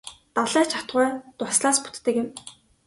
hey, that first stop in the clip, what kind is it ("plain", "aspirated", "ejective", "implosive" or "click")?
plain